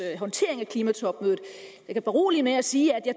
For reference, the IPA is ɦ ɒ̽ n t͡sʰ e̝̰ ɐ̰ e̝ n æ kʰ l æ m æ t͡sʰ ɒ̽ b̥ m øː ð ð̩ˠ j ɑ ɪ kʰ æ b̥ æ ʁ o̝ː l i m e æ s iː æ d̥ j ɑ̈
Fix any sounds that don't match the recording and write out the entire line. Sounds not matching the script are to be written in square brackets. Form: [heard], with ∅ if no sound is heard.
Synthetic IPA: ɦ ɒ̽ n t͡sʰ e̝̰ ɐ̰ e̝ [ŋ] æ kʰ l [i] m æ t͡sʰ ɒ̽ b̥ m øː ð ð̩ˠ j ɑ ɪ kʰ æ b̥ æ ʁ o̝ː l i m e æ s iː æ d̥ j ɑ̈